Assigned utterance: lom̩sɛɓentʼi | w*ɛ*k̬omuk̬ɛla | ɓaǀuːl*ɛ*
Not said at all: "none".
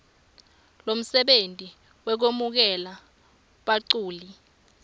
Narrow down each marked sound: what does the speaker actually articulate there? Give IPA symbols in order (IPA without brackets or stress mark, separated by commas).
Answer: ɛ, i